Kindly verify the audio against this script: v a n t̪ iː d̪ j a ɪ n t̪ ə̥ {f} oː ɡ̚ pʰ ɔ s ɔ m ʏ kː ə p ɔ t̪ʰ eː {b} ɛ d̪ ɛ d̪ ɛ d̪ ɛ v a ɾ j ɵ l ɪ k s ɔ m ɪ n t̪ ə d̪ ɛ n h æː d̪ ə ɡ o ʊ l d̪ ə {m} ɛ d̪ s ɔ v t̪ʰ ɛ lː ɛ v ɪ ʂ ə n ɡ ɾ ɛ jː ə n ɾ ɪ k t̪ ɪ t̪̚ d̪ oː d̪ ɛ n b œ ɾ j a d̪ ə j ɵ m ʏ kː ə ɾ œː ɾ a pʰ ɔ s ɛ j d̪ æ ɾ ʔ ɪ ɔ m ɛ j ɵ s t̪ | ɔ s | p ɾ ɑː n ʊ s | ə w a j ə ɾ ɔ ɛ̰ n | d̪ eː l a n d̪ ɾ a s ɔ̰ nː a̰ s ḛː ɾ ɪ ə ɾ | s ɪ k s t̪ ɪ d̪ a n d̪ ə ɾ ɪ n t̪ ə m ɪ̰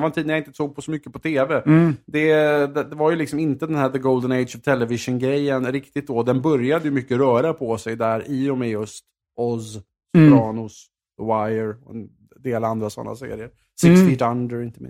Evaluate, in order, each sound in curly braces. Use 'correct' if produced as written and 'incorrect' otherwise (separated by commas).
incorrect, incorrect, incorrect